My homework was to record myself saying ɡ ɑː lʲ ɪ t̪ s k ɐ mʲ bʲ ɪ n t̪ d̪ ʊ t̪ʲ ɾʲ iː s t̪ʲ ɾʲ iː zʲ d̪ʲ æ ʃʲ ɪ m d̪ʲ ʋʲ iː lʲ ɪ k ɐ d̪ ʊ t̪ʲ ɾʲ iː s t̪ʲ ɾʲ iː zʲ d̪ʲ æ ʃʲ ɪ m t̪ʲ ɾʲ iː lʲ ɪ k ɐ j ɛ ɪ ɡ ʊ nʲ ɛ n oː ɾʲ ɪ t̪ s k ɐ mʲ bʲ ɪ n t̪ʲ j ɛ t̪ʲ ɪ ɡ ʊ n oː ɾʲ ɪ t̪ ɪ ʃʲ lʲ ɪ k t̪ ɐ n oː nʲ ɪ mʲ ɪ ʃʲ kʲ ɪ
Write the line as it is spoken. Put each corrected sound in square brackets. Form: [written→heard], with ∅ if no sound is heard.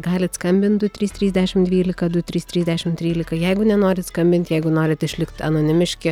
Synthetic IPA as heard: ɡ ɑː lʲ ɪ t̪ s k ɐ mʲ bʲ ɪ n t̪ d̪ ʊ t̪ʲ ɾʲ iː s t̪ʲ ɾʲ iː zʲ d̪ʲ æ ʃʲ ɪ m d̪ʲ ʋʲ iː lʲ ɪ k ɐ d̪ ʊ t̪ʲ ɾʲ iː s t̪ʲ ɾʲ iː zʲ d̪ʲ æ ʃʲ ɪ m t̪ʲ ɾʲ iː lʲ ɪ k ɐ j ɛ ɪ ɡ ʊ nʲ ɛ n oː ɾʲ ɪ t̪ s k ɐ mʲ bʲ ɪ n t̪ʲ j ɛ [t̪ʲ→∅] ɪ ɡ ʊ n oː ɾʲ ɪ t̪ ɪ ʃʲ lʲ ɪ k t̪ ɐ n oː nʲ ɪ mʲ ɪ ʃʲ kʲ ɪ